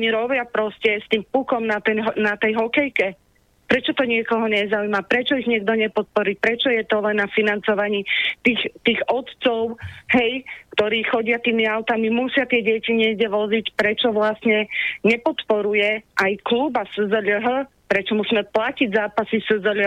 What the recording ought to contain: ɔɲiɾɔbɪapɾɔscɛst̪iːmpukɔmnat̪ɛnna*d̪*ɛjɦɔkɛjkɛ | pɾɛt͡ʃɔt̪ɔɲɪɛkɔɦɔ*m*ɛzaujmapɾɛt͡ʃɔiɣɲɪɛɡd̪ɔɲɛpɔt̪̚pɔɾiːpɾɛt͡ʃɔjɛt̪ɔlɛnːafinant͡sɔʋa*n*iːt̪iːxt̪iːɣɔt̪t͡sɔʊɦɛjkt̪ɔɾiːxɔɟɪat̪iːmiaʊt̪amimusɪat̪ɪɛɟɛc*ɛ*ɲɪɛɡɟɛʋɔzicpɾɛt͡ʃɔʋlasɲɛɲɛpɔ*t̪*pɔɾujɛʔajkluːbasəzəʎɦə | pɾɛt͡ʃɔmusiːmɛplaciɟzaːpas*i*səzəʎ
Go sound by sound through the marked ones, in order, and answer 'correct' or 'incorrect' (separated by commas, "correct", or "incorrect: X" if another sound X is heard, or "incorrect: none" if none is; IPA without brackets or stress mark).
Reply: incorrect: t̪, incorrect: ɲ, incorrect: ɲ, incorrect: i, correct, correct